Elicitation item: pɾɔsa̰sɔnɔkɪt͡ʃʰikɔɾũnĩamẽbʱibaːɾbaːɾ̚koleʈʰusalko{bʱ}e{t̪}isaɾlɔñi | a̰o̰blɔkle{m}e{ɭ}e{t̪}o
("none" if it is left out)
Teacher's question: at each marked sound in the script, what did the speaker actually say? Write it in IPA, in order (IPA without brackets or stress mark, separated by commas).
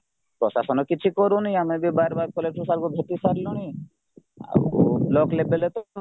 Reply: bʱ, t̪, b, l, t̪